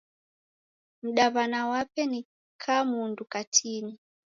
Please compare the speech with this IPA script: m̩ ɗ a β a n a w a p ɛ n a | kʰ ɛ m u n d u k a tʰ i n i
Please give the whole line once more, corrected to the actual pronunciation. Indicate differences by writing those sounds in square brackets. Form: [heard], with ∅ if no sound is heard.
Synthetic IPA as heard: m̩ ɗ a β a n a w a p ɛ n [i] | kʰ [a] m u n d u k a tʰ i n i